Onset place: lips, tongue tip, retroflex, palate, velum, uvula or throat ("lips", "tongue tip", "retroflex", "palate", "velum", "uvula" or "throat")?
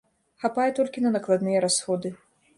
velum